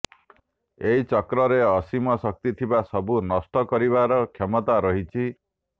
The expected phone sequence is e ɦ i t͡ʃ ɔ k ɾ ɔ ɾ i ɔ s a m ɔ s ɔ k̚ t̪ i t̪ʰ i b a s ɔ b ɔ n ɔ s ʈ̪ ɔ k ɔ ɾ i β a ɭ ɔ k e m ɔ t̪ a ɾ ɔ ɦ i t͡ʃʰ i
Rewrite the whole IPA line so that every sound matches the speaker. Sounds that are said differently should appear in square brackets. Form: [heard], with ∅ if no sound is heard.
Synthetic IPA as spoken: e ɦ i t͡ʃ ɔ k ɾ ɔ ɾ [e] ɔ s [i] m ɔ s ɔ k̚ t̪ i t̪ʰ i b a s ɔ b [u] n ɔ s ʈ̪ ɔ k ɔ ɾ i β a [ɾ] ɔ [kʰ] e m ɔ t̪ a ɾ ɔ ɦ i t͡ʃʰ i